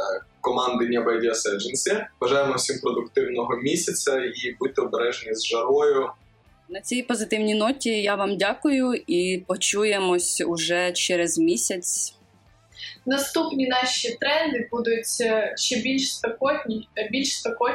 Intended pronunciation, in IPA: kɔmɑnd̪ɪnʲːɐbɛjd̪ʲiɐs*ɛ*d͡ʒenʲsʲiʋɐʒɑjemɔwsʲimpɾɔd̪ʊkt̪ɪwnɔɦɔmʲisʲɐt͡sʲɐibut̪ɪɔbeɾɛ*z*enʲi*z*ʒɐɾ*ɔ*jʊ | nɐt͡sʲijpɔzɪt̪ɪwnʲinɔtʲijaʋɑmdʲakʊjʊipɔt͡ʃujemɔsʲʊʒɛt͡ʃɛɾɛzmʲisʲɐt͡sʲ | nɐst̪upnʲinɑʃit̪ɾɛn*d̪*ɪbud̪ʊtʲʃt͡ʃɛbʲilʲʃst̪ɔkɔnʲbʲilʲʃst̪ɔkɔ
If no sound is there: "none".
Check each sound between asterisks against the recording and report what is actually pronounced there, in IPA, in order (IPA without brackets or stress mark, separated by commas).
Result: ɛ, ʒ, z, ɔ, d̪